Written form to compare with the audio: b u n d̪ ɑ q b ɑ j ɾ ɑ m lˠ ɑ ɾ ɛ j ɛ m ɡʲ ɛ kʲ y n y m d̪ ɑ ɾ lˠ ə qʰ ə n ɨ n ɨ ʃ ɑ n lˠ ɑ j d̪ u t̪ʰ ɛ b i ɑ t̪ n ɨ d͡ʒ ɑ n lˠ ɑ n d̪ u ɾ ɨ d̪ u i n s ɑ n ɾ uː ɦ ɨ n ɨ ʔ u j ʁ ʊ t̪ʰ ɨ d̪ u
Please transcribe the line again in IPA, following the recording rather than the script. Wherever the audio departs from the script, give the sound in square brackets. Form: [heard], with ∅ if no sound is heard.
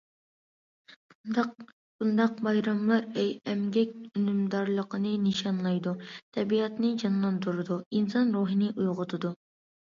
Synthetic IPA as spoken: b u n d̪ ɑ q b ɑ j ɾ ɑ m lˠ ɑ ɾ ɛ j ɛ m ɡʲ ɛ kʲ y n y m d̪ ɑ ɾ lˠ ə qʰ ə n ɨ n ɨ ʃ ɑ n lˠ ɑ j d̪ u t̪ʰ ɛ b i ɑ t̪ n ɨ d͡ʒ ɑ n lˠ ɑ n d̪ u ɾ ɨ d̪ u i n s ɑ n ɾ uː ɦ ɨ n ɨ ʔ u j ʁ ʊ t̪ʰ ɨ d̪ u

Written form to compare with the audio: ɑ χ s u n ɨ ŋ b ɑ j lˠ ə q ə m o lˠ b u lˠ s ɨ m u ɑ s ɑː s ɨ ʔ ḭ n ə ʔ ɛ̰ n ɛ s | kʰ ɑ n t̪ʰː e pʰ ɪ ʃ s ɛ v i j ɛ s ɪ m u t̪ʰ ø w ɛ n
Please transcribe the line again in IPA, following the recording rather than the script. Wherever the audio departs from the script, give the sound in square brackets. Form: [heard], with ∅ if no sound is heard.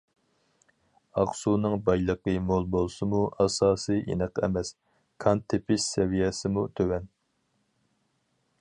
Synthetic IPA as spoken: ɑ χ s u n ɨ ŋ b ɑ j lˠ ə q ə m o lˠ b [o] lˠ s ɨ m u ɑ s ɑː s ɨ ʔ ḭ n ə [q] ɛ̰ [m] ɛ s | kʰ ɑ n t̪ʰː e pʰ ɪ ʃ s ɛ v i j ɛ s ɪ m u t̪ʰ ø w ɛ n

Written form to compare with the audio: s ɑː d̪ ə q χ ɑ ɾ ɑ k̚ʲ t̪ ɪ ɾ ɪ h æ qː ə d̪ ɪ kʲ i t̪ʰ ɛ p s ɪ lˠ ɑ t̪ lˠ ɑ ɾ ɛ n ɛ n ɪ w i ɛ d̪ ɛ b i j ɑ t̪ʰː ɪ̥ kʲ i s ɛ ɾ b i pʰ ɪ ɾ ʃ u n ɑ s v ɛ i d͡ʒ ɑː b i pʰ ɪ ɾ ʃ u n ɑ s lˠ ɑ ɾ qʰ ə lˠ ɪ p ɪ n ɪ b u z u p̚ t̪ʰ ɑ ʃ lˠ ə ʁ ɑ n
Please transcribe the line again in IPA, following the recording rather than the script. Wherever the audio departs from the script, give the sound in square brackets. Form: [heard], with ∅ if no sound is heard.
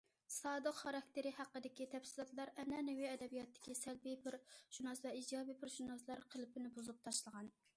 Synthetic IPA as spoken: s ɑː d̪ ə q χ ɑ ɾ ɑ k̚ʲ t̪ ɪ ɾ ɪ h æ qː ə d̪ ɪ kʲ i t̪ʰ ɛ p s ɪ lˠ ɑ t̪ lˠ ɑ ɾ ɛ n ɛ n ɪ w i ɛ d̪ ɛ b i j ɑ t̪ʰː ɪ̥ kʲ i s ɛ [l] b i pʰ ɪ ɾ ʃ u n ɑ s v ɛ i d͡ʒ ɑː b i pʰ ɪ ɾ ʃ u n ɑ s lˠ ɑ ɾ qʰ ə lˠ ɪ p ɪ n ɪ b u z u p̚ t̪ʰ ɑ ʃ lˠ ə ʁ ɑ n

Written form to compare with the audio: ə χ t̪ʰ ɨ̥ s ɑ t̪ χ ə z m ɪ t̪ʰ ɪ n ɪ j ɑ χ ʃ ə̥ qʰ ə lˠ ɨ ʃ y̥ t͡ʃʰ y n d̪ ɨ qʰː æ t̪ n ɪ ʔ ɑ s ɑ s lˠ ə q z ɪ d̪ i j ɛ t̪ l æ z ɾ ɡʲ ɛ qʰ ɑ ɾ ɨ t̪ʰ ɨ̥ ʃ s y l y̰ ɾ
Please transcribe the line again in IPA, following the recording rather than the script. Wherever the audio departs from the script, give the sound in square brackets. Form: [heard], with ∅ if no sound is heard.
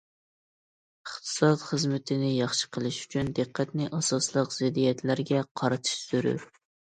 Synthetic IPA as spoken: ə χ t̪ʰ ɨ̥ s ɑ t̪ χ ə z m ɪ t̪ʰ ɪ n ɪ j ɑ χ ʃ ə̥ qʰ ə lˠ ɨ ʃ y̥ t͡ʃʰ y n d̪ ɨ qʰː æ t̪ n ɪ ʔ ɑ s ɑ s lˠ ə q z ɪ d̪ i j ɛ t̪ l æ [∅] ɾ ɡʲ ɛ qʰ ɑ ɾ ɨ t̪ʰ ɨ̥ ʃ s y [ɾ] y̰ ɾ

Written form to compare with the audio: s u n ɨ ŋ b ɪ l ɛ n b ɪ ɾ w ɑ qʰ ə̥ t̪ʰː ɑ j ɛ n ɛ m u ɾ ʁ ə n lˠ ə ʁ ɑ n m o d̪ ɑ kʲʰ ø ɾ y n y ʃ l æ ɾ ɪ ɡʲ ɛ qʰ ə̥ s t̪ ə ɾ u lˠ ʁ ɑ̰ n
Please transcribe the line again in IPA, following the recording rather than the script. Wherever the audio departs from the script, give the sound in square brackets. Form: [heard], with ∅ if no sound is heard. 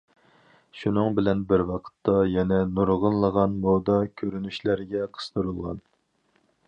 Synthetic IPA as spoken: [ʃ] u n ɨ ŋ b ɪ l ɛ n b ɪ ɾ w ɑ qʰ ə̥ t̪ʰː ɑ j ɛ n ɛ [n] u ɾ ʁ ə n lˠ ə ʁ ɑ n m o d̪ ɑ kʲʰ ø ɾ y n y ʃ l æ ɾ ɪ ɡʲ ɛ qʰ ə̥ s t̪ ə ɾ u lˠ ʁ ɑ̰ n

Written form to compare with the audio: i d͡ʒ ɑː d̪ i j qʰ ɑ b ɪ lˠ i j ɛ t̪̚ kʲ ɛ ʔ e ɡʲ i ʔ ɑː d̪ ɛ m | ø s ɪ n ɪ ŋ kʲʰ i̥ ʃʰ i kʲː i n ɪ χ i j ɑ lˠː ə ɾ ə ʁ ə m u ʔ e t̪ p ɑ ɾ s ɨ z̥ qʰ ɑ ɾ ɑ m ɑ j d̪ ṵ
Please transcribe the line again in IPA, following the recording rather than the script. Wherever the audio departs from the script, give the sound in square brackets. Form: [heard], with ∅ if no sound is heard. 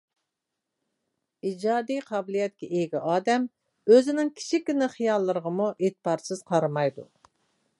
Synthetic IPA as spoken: i d͡ʒ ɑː d̪ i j qʰ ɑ b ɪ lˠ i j ɛ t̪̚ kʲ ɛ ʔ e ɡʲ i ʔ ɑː d̪ ɛ m | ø [z] ɪ n ɪ ŋ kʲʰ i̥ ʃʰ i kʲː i n ɪ χ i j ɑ lˠː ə ɾ ə ʁ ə m u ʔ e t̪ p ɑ ɾ s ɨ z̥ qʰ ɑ ɾ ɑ m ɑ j d̪ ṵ

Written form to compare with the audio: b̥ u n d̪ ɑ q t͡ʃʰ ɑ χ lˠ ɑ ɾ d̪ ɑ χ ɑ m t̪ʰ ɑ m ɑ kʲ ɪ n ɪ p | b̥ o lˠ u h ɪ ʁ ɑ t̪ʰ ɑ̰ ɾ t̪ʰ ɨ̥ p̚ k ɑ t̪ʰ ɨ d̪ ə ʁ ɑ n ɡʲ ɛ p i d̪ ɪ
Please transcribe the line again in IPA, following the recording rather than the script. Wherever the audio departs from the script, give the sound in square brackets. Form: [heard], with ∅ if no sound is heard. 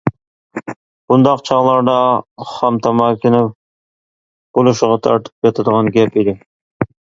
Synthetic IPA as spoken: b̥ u n d̪ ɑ q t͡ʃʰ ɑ [ʁ] lˠ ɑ ɾ d̪ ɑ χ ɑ m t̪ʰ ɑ m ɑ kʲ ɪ n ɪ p | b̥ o lˠ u [ʃ] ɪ ʁ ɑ t̪ʰ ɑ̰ ɾ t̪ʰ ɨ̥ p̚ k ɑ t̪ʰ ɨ d̪ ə ʁ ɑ n ɡʲ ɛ p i d̪ ɪ

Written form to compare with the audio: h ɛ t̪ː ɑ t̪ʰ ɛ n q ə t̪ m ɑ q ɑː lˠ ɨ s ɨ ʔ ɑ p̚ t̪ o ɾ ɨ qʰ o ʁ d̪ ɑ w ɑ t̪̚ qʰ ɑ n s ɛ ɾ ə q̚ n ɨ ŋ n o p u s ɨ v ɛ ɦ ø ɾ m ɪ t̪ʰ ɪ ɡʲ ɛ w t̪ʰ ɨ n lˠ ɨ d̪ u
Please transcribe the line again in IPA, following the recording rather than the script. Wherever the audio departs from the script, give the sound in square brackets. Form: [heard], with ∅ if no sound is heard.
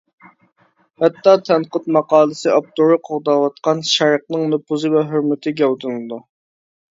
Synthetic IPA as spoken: h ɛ t̪ː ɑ t̪ʰ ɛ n q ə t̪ m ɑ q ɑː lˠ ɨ s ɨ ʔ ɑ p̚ t̪ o ɾ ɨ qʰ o ʁ d̪ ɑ w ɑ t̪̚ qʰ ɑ n [ʃ] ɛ ɾ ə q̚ n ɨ ŋ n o p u [z] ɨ v ɛ ɦ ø ɾ m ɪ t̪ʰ ɪ ɡʲ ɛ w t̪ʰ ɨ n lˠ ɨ d̪ u

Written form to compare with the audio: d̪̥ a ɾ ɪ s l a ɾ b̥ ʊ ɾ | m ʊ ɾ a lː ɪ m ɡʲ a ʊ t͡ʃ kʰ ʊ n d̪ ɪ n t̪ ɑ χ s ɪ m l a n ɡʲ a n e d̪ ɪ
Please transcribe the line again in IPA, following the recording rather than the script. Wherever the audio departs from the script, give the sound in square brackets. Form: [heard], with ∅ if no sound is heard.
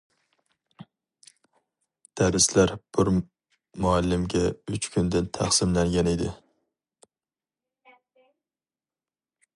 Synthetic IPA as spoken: d̪̥ a ɾ ɪ s l a ɾ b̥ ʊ ɾ | m ʊ [∅] a lː ɪ m ɡʲ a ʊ t͡ʃ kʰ ʊ n d̪ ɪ n [t̪ʰ] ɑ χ s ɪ m l a [ŋ] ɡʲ a n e d̪ ɪ

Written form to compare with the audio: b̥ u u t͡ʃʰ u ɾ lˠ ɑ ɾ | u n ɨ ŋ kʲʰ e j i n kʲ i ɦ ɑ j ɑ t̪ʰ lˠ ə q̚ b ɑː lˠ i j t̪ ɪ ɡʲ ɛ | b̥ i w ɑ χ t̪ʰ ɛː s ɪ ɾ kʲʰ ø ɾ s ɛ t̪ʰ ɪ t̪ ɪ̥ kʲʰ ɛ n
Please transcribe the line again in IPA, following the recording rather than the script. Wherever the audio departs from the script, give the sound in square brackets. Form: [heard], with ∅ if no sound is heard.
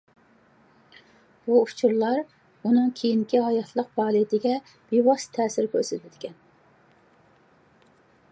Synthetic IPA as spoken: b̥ u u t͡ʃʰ u ɾ lˠ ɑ ɾ | u n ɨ ŋ kʲʰ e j i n kʲ i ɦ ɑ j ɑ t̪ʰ lˠ ə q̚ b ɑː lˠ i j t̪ ɪ ɡʲ ɛ | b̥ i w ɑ [s] t̪ʰ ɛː s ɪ ɾ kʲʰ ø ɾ s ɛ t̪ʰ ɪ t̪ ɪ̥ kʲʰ ɛ n

